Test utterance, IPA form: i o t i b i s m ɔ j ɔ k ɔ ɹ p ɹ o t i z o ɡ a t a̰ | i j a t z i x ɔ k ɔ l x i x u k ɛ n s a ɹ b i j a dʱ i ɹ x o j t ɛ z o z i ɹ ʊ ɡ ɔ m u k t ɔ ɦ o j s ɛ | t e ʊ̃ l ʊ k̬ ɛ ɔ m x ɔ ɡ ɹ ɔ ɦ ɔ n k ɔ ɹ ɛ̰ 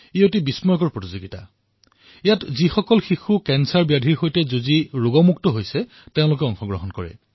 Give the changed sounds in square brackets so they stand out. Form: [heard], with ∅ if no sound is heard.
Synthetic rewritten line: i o t i b i s m ɔ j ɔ k ɔ ɹ p ɹ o t i z o ɡ [i] t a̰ | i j a t z i x ɔ k ɔ l x i x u k ɛ n s a ɹ b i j a dʱ i ɹ x o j t ɛ z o z i ɹ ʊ ɡ ɔ m u k t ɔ ɦ o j s ɛ | t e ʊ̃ l ʊ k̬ ɛ ɔ [ŋ] x ɔ ɡ ɹ ɔ ɦ ɔ n k ɔ ɹ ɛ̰